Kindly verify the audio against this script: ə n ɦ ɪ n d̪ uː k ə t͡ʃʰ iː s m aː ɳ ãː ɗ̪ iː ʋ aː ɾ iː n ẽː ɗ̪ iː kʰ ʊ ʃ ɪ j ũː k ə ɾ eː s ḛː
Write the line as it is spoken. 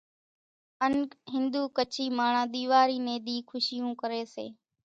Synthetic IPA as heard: ə n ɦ ɪ n d̪ uː k ə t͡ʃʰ iː m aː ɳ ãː ɗ̪ iː ʋ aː ɾ iː n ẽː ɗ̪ iː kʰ ʊ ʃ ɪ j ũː k ə ɾ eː s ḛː